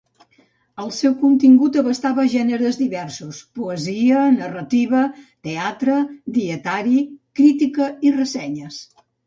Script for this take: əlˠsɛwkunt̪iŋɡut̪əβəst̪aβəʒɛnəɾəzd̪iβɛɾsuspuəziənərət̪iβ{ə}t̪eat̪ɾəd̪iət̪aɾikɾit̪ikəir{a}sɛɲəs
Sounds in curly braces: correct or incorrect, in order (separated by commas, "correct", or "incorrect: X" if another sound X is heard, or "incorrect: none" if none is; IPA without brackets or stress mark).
correct, incorrect: ə